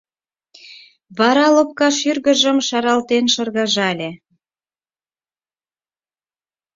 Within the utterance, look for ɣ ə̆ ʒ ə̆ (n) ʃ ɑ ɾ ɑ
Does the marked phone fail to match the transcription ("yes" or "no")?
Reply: yes